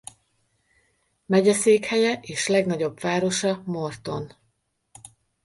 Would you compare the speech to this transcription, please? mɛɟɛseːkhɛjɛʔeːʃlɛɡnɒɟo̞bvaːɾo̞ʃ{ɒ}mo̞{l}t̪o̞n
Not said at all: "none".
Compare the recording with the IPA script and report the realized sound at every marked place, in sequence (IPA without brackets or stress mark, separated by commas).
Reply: ɒ, r